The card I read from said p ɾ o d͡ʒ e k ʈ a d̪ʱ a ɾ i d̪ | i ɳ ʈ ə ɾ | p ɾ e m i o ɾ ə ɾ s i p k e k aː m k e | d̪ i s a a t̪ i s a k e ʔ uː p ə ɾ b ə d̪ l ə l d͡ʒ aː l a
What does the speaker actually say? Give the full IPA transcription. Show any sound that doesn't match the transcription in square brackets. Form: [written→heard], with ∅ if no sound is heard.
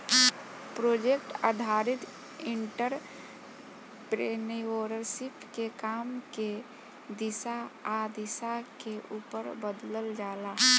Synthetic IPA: p ɾ o d͡ʒ e k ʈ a d̪ʱ a ɾ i [d̪→t̪] | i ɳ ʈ ə ɾ | p ɾ e [m→n] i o ɾ ə ɾ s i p k e k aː m k e | d̪ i s a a [t̪→d̪] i s a k e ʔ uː p ə ɾ b ə d̪ l ə l d͡ʒ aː l a